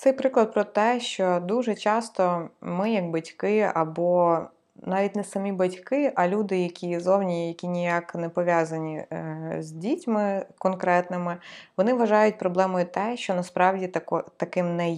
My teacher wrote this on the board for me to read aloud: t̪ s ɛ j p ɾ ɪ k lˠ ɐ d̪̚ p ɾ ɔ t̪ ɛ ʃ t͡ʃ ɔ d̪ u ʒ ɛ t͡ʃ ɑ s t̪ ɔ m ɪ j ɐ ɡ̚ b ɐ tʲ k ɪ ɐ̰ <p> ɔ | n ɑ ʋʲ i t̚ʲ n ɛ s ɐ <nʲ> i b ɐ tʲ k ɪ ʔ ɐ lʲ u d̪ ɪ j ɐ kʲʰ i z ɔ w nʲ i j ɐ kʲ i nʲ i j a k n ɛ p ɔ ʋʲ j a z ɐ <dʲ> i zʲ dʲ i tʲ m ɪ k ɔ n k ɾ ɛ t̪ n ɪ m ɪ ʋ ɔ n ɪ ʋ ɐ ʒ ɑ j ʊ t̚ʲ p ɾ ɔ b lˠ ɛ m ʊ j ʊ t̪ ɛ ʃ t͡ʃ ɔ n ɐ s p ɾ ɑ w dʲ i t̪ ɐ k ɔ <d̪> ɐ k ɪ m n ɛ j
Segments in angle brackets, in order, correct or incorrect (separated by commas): incorrect, incorrect, incorrect, incorrect